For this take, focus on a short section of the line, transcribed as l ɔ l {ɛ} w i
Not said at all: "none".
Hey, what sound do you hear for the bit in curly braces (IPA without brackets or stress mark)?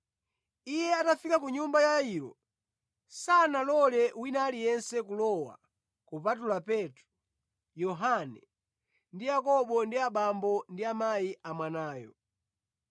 ɛ